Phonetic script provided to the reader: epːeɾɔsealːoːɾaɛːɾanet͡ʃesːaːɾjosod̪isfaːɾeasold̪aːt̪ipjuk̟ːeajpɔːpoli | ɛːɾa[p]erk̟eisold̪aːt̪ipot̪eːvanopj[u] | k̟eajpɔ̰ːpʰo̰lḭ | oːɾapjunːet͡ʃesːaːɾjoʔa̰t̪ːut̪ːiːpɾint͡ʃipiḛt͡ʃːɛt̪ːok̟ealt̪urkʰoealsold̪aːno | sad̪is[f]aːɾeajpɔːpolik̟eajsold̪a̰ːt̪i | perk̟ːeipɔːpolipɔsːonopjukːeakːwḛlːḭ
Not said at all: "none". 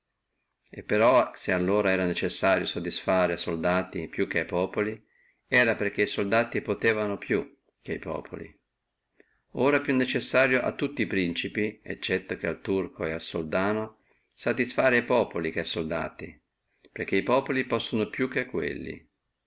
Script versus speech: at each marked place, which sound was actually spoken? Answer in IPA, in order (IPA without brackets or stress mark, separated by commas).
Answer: p, u, f